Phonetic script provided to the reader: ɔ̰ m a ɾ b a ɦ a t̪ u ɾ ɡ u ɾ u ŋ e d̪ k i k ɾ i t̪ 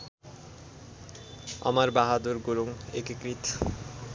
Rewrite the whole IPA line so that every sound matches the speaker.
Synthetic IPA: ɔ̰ m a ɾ b a ɦ a d̪ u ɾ ɡ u ɾ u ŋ e k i k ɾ i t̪